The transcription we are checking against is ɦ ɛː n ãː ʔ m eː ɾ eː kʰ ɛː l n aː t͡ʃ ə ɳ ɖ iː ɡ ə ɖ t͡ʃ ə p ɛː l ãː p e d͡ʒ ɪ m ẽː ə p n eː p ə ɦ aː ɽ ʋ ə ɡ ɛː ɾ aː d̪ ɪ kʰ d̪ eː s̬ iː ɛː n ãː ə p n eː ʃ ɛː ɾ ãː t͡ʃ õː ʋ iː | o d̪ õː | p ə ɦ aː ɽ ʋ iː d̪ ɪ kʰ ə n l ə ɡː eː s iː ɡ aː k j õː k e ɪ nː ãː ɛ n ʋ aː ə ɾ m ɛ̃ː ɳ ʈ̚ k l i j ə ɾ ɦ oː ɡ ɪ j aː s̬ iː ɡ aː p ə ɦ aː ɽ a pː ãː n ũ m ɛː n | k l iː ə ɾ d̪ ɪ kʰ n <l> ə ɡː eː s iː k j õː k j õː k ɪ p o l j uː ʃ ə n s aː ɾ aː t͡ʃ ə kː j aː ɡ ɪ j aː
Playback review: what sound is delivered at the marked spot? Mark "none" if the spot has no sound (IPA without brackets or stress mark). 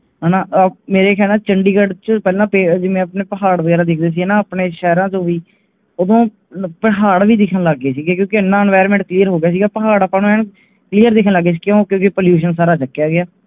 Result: l